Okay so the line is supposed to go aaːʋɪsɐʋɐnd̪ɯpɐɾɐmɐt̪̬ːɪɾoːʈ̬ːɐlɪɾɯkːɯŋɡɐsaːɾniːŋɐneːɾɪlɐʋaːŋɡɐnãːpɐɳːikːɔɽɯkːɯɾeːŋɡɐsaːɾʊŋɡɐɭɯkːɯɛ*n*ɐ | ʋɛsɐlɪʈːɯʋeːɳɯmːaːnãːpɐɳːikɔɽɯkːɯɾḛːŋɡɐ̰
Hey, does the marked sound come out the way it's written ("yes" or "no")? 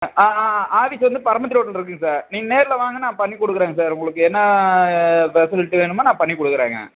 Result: no